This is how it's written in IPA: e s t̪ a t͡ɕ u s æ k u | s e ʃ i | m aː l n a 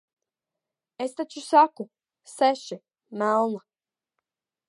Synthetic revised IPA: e s t̪ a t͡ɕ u s a k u | s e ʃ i | m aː l n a